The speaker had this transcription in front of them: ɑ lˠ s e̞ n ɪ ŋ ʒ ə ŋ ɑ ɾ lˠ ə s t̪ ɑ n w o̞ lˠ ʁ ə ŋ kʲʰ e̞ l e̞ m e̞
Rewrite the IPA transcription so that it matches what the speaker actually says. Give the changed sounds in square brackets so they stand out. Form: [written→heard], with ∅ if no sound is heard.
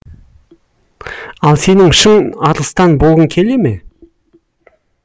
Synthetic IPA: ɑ lˠ s e̞ n ɪ ŋ [ʒ→ʃ] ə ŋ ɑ ɾ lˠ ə s t̪ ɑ n [w→b] o̞ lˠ ʁ ə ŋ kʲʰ e̞ l e̞ m e̞